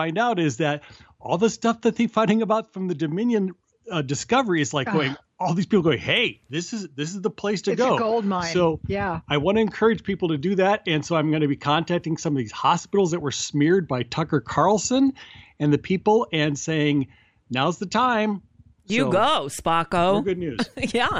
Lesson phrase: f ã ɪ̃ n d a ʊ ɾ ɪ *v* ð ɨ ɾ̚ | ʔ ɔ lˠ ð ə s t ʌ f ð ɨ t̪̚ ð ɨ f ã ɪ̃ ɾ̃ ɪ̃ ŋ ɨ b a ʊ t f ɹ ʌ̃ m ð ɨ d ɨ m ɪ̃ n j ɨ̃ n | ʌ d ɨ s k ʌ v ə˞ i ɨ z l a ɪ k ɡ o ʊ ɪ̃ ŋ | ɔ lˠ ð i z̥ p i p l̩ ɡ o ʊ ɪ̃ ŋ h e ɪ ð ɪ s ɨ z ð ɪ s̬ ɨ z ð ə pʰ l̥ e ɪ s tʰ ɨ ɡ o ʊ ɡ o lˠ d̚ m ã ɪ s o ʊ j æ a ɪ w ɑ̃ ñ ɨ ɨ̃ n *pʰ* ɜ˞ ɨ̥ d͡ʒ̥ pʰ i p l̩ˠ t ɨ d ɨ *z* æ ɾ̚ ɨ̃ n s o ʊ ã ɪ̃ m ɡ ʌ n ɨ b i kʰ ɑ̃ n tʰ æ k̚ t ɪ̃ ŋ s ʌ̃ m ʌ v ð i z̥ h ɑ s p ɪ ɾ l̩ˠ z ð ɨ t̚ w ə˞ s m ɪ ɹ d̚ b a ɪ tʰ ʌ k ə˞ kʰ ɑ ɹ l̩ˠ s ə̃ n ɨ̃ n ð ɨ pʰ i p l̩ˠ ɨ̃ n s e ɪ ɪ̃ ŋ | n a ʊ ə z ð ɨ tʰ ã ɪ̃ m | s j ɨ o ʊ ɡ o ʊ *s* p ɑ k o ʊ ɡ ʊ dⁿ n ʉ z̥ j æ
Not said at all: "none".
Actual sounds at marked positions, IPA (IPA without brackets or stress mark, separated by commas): z, kʰ, ð, s